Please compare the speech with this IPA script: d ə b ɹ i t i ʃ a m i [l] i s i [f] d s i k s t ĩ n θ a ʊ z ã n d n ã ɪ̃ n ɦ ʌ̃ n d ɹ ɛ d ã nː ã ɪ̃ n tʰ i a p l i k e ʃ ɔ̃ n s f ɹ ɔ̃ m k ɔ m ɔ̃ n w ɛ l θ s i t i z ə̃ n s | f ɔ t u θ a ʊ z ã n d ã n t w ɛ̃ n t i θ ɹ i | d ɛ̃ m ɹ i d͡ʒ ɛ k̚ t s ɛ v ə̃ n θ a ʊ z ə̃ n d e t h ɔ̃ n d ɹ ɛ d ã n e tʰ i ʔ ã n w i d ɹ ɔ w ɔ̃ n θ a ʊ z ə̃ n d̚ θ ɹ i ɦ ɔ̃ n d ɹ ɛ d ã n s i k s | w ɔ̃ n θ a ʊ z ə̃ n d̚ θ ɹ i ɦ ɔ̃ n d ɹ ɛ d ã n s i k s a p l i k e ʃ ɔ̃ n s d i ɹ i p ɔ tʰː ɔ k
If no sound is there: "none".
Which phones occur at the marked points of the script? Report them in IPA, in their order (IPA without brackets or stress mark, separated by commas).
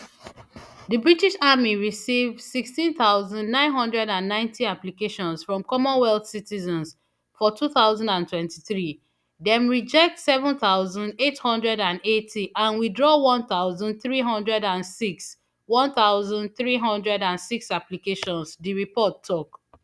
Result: ɹ, v